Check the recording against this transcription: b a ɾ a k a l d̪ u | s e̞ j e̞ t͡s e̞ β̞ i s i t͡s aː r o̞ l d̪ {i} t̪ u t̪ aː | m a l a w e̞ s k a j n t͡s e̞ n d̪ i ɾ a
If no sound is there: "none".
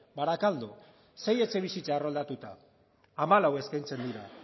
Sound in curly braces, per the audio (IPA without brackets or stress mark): a